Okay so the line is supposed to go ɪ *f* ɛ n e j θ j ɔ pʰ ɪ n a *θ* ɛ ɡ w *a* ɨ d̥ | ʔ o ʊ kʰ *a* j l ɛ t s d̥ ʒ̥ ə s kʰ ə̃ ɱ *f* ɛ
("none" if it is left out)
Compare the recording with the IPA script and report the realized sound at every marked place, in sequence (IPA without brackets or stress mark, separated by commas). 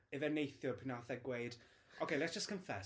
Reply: v, θ, e, e, f